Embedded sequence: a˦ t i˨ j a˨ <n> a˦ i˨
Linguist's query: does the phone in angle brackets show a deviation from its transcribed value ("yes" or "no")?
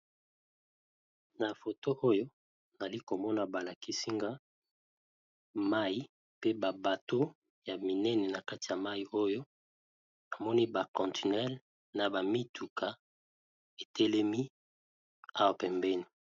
yes